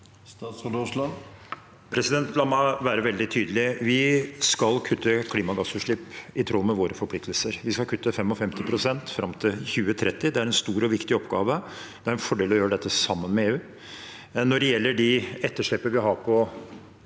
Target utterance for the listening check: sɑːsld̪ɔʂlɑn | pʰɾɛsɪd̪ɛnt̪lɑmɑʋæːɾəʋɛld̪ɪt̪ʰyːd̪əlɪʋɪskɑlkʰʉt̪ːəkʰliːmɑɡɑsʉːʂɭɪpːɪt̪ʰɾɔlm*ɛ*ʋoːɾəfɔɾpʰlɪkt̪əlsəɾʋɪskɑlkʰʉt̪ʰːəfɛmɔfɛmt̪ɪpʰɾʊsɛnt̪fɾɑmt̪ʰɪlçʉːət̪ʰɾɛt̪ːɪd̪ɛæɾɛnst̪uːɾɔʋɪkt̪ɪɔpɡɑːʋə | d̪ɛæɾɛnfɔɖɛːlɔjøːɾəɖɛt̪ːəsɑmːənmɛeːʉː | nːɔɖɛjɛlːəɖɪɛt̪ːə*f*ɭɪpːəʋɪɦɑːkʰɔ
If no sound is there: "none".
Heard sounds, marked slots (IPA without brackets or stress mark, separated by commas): ɛ, ʂ